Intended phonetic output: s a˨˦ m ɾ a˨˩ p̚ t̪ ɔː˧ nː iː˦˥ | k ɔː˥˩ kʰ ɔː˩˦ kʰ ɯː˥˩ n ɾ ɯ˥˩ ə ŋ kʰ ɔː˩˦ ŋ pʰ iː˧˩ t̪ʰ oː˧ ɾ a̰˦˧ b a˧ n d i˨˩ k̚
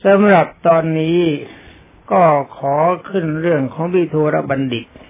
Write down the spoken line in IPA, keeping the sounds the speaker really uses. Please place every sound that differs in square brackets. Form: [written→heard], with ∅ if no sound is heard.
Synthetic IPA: s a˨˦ m ɾ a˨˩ p̚ t̪ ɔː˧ nː iː˦˥ | k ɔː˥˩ kʰ ɔː˩˦ kʰ [ɯː˥˩→ɯ˥˩] n ɾ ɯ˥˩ ə ŋ kʰ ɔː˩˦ ŋ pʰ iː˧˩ t̪ʰ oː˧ ɾ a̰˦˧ b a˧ n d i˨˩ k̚